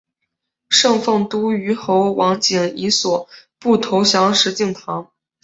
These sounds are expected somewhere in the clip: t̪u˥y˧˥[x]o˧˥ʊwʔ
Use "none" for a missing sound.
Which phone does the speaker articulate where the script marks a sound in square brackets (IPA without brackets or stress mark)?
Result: x